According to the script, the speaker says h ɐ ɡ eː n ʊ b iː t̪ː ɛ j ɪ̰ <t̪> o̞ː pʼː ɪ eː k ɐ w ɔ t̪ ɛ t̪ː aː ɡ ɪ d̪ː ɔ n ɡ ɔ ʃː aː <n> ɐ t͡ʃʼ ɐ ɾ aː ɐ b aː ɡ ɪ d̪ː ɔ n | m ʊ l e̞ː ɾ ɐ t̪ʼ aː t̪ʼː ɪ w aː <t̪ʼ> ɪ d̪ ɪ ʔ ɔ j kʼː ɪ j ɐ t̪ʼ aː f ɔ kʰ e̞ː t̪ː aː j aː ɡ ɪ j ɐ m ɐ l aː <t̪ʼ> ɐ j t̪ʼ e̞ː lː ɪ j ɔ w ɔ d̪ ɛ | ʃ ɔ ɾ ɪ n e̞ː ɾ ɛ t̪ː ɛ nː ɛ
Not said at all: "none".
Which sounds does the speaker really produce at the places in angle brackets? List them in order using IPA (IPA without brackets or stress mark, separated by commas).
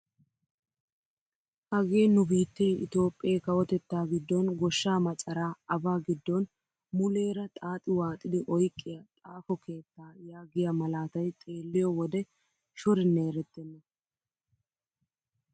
t̪, m, t̪ʼ, t̪